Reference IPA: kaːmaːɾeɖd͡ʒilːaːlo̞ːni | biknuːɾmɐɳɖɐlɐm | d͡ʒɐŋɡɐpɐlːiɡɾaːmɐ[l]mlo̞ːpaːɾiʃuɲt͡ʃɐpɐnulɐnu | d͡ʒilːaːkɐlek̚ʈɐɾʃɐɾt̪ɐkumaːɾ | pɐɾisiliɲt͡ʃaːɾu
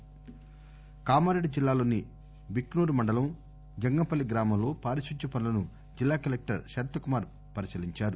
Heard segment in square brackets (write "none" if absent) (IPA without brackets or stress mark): none